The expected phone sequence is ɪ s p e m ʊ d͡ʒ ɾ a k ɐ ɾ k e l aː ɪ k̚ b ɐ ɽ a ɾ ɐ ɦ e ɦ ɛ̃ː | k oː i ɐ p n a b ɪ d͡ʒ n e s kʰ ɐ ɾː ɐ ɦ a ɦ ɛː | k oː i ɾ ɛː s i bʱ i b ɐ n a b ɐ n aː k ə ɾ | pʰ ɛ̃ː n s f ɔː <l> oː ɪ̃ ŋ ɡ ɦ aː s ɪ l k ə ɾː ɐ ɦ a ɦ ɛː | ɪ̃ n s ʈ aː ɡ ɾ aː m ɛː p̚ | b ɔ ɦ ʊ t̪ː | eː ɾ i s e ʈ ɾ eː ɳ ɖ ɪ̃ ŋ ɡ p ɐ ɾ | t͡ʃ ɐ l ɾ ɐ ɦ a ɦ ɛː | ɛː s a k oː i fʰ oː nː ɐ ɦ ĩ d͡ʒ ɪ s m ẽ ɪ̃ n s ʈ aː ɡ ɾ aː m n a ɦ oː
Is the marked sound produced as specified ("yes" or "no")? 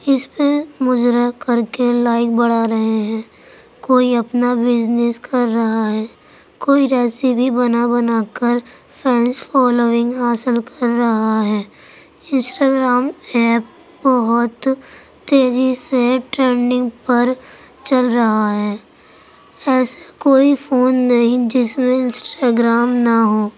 yes